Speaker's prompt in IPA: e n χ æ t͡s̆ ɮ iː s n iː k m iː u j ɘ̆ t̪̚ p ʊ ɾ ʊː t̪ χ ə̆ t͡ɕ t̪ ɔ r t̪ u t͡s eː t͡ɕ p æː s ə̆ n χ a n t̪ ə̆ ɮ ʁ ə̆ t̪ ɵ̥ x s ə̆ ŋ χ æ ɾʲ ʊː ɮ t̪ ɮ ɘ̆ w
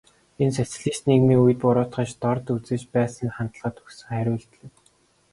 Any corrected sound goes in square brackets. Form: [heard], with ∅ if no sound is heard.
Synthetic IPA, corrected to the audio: e n [s] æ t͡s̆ ɮ iː s n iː k m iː u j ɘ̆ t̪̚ p ʊ ɾ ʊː t̪ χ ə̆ t͡ɕ t̪ ɔ r t̪ u t͡s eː t͡ɕ p æː s ə̆ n χ a n t̪ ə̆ ɮ ʁ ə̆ t̪ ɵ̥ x s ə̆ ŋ χ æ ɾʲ ʊː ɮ t̪ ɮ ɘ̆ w